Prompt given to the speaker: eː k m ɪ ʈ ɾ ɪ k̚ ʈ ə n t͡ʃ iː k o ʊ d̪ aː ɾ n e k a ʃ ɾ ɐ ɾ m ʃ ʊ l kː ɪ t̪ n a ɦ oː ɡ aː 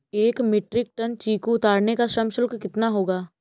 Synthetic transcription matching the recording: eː k m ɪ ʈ ɾ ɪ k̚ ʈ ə n t͡ʃ iː k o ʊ t̪ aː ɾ n e k a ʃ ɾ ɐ m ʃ ʊ l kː ɪ t̪ n a ɦ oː ɡ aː